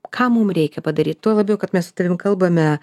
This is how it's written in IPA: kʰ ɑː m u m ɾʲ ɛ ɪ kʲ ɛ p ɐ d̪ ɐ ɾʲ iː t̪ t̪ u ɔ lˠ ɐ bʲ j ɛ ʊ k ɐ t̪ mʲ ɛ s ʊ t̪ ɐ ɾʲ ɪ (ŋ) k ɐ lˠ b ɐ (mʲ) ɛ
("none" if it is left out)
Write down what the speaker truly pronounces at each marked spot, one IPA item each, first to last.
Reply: m, mʲ

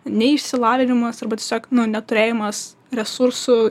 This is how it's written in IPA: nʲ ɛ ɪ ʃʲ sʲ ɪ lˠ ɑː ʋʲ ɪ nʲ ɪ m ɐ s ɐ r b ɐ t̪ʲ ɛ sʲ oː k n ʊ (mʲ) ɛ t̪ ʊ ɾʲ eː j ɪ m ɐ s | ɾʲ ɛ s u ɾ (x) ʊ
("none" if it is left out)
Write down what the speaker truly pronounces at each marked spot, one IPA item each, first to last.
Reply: nʲ, s

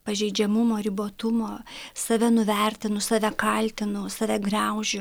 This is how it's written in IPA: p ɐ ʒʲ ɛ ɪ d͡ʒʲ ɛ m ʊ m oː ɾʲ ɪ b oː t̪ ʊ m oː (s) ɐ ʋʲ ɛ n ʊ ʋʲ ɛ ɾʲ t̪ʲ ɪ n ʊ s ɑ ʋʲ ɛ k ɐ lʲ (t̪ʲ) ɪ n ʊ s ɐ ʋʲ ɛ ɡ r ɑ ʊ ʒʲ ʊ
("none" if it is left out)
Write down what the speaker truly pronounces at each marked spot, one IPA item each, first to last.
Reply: s, t̪ʲ

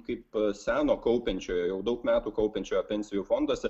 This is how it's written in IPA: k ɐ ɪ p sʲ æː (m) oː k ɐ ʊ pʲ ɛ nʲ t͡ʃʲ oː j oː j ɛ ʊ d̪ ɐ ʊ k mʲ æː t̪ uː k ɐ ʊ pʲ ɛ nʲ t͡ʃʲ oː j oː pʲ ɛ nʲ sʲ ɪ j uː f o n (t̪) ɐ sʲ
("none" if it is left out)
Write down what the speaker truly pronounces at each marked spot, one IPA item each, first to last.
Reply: n, d̪

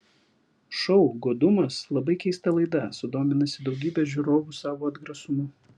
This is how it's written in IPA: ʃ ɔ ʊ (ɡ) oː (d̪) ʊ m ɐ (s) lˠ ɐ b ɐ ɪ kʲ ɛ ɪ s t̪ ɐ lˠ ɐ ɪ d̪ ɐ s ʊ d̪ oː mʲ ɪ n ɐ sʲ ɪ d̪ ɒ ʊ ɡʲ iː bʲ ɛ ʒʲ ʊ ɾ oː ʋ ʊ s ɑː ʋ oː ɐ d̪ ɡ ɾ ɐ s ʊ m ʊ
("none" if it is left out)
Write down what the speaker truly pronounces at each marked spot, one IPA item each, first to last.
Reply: ɡ, d̪, s

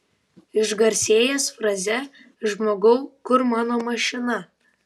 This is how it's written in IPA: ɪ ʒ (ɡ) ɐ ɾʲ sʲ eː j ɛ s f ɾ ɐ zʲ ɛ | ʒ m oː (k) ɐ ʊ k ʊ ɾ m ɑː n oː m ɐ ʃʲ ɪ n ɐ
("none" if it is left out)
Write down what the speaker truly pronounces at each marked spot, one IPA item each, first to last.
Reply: ɡ, ɡ

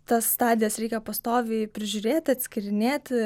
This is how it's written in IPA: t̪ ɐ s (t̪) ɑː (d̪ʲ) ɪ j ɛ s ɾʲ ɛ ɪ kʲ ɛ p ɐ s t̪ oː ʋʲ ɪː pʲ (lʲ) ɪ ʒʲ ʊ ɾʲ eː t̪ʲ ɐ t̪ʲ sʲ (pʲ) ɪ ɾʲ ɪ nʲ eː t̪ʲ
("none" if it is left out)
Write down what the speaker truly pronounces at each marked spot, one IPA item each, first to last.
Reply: t̪, d̪ʲ, ɾʲ, kʲ

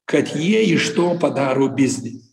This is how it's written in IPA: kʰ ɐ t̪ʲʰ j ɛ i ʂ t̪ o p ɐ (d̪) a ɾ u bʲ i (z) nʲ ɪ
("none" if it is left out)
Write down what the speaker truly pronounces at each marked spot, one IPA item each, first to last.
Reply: d̪, z

